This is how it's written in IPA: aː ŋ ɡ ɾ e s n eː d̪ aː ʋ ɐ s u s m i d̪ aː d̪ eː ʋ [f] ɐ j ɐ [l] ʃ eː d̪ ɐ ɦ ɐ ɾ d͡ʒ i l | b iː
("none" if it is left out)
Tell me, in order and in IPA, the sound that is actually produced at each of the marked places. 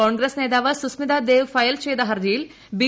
f, l

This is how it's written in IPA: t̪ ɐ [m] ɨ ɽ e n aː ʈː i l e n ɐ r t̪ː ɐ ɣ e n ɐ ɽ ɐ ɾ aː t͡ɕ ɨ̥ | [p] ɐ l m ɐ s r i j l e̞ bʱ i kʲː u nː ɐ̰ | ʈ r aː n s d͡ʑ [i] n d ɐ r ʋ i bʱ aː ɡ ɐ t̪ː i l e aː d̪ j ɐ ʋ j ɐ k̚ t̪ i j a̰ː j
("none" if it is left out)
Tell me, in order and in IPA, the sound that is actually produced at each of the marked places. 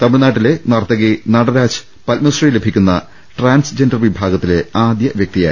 m, p, e

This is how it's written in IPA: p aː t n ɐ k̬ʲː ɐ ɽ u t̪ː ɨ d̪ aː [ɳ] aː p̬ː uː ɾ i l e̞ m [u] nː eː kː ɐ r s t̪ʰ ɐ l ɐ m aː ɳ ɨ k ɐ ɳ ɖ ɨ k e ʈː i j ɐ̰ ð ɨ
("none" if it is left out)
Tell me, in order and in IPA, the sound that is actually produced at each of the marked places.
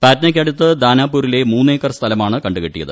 n, uː

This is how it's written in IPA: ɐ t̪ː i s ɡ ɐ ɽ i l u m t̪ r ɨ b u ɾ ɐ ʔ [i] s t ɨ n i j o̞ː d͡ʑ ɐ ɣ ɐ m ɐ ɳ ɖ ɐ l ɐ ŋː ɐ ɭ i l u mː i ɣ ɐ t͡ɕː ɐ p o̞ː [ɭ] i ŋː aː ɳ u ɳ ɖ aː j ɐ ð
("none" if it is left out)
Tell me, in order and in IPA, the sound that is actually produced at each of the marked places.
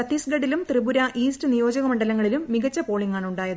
iː, ɭ

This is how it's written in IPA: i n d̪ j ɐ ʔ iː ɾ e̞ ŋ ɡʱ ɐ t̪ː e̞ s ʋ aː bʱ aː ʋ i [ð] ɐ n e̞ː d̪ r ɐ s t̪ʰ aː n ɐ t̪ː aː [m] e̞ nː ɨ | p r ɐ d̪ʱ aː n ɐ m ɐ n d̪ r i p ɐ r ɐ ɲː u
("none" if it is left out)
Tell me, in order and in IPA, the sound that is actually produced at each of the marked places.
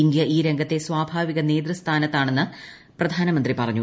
ɣ, ɳ

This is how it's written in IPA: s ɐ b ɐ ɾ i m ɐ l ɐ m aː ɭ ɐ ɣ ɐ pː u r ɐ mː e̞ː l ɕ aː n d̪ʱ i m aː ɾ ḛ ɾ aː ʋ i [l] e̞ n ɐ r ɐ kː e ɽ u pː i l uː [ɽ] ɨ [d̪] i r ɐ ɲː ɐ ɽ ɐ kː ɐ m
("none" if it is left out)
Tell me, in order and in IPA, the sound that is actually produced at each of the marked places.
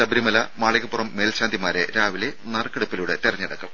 l, ɽ, t̪

